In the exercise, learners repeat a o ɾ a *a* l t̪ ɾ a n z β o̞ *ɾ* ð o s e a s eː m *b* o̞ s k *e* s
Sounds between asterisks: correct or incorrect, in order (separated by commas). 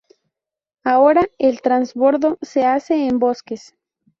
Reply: incorrect, correct, correct, correct